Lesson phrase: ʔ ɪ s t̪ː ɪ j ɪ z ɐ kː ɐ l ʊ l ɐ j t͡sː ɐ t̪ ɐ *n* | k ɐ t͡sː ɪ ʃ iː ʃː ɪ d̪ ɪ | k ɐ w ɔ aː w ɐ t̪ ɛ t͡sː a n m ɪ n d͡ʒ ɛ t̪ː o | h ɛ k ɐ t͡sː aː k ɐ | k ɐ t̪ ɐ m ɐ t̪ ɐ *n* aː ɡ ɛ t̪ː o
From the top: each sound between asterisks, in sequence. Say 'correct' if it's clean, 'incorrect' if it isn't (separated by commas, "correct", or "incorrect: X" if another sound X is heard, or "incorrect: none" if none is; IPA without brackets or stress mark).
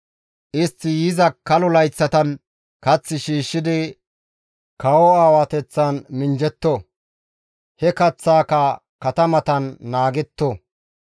correct, incorrect: nː